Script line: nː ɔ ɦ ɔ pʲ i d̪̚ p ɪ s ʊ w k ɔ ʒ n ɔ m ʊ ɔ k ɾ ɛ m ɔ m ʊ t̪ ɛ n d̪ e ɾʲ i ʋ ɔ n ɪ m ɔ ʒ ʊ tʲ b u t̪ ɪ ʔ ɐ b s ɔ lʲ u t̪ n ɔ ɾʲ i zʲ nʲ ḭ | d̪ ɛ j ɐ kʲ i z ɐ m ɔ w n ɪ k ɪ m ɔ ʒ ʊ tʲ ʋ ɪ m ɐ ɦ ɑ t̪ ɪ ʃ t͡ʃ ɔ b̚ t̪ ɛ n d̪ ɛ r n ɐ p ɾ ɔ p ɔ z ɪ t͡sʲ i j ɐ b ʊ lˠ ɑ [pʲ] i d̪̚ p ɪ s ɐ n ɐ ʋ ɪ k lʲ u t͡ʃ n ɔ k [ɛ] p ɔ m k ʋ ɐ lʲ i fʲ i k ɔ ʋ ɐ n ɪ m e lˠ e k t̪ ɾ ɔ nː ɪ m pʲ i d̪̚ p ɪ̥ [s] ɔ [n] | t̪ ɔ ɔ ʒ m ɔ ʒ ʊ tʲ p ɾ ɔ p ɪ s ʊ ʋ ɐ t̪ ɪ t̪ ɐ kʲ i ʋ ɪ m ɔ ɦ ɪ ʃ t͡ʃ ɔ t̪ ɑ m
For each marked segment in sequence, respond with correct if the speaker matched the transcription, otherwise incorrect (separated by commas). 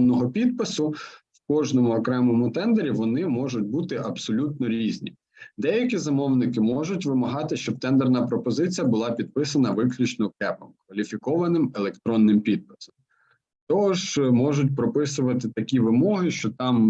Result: correct, correct, correct, incorrect